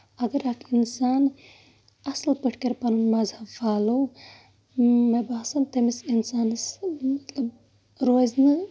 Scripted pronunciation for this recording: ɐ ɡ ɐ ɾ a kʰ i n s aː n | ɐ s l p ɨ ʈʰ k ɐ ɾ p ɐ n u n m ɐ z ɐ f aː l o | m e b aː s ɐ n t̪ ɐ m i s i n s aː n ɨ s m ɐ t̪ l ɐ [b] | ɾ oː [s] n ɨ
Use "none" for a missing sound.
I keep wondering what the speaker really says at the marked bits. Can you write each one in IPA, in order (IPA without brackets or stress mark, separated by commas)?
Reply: b, z